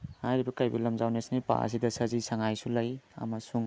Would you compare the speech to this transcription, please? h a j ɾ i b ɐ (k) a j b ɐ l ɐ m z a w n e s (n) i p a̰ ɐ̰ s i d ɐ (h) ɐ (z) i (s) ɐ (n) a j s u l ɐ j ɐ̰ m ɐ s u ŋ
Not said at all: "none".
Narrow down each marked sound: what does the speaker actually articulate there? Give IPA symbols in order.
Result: k, n, s, z, s, ŋ

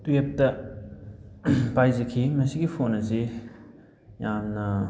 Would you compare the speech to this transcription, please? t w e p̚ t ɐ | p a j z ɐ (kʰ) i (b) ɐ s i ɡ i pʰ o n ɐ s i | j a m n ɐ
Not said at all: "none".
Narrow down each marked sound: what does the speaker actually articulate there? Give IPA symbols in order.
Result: kʰ, m

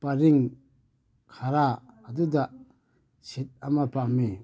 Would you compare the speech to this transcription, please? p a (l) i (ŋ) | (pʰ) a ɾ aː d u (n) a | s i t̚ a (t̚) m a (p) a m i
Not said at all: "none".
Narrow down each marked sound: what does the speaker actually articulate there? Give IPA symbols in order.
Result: ɾ, ŋ, kʰ, d, none, p

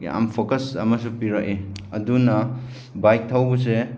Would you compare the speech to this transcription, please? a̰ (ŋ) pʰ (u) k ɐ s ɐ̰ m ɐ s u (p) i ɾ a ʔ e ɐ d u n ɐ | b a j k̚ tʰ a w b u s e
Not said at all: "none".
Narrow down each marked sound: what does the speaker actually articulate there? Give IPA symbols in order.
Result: m, o, p

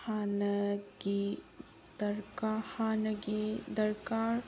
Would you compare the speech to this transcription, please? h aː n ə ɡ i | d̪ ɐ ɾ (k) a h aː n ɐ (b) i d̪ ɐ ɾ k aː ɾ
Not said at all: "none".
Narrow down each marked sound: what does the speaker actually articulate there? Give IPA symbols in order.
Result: k, ɡ

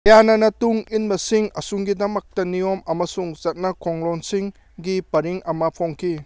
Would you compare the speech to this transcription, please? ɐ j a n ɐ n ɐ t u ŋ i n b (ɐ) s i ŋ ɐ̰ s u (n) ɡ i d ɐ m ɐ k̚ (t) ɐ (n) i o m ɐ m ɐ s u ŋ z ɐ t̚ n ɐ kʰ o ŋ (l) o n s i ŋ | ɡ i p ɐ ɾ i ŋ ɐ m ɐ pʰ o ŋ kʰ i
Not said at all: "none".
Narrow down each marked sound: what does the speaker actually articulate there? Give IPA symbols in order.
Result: ɐ, ŋ, t, n, l

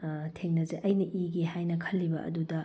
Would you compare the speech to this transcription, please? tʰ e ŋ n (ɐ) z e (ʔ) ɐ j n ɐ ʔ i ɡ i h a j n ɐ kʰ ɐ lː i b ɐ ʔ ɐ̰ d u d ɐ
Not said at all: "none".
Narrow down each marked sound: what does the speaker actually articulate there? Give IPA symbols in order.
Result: ɐ, ʔ

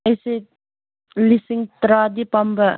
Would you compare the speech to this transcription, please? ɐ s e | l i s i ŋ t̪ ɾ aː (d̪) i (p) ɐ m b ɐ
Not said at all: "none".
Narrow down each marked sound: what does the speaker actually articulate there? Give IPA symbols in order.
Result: d̪, p

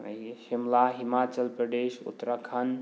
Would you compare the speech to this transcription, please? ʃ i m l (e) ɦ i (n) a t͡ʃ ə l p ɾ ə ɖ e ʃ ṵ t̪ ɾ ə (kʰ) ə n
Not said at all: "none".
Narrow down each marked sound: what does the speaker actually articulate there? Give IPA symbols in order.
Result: a, m, kʰ

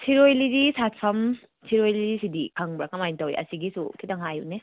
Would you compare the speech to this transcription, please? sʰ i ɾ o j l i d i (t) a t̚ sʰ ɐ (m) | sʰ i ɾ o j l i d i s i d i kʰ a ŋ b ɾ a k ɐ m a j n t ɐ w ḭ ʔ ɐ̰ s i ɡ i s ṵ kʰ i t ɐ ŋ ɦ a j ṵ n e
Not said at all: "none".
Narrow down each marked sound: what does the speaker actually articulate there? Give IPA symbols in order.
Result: s, m

